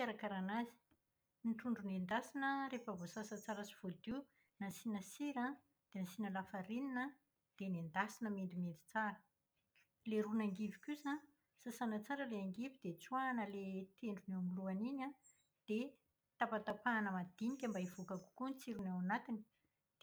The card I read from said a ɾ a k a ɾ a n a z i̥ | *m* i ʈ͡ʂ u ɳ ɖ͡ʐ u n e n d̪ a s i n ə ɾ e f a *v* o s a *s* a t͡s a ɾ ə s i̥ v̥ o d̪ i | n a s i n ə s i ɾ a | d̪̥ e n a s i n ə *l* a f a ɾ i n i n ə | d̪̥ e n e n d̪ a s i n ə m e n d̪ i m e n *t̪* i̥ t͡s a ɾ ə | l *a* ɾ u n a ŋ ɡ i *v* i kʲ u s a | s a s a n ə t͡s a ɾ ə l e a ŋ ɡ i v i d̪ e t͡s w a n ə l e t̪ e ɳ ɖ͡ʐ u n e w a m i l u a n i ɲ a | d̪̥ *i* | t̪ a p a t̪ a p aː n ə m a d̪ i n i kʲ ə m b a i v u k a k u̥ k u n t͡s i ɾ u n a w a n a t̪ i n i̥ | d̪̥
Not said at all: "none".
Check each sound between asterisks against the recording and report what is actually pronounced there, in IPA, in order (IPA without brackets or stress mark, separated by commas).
n, v, s, l, d̪, e, v, e